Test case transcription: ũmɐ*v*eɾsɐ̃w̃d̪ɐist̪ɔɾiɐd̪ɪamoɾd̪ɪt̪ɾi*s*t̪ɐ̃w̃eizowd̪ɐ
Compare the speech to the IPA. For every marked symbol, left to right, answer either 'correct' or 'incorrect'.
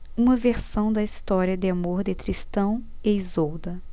correct, correct

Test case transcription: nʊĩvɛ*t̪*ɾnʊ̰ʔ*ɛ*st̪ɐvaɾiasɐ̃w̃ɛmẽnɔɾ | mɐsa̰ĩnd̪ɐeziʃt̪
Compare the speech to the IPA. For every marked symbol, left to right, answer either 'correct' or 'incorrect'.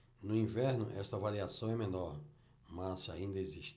incorrect: none, correct

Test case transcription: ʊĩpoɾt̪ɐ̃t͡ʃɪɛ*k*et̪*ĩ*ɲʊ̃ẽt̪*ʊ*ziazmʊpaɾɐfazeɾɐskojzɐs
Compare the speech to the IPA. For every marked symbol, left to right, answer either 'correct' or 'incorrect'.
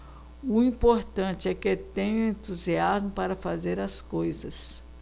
correct, incorrect: ẽ, incorrect: u

